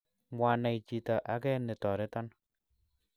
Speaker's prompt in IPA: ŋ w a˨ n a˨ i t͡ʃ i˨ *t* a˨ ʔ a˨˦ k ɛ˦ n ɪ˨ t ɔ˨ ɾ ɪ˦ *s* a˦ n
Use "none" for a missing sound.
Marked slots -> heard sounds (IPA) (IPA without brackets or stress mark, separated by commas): t, t